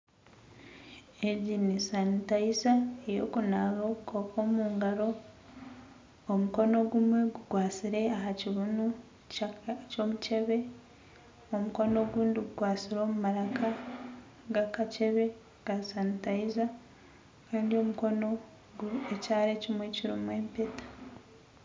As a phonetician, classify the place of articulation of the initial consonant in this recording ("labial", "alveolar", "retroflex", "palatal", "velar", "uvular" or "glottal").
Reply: palatal